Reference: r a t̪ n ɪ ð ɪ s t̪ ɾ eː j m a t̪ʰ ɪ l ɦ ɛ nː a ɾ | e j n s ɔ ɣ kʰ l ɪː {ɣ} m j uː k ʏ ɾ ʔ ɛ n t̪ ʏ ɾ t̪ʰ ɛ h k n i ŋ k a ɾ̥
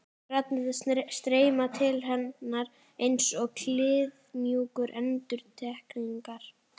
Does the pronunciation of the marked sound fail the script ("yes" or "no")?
yes